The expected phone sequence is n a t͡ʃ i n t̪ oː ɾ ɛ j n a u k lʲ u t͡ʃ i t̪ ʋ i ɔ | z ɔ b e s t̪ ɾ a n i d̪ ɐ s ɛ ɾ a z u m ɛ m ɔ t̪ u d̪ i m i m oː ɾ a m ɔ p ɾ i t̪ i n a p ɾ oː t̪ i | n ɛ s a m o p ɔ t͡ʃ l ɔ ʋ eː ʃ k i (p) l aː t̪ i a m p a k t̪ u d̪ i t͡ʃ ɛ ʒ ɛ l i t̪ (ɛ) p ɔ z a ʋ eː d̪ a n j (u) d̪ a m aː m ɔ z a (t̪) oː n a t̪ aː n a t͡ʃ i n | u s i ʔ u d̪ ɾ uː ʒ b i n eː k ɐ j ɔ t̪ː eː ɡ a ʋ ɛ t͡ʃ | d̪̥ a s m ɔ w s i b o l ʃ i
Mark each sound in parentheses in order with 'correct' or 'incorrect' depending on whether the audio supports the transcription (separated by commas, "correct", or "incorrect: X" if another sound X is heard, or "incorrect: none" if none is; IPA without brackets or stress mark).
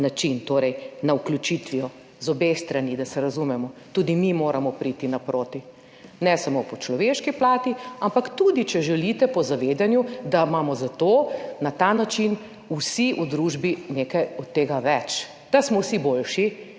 correct, correct, correct, correct